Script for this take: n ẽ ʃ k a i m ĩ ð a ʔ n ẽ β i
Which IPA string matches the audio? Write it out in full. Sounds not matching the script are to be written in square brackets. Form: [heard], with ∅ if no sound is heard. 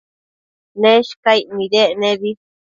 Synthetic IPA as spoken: n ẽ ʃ k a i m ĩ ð [e] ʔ n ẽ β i